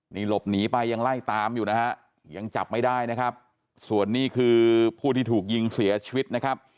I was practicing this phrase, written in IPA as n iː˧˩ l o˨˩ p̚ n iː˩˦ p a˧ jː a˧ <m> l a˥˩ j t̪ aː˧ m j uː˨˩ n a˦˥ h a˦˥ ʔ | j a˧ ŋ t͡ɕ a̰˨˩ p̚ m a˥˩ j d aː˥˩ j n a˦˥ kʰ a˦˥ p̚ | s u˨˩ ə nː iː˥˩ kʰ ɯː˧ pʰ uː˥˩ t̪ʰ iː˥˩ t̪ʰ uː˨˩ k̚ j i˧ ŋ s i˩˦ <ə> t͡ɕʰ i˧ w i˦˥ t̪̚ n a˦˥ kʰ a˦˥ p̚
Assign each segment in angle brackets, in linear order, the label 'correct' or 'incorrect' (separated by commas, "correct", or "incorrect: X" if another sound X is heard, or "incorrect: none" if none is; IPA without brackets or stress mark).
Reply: incorrect: ŋ, incorrect: ɐ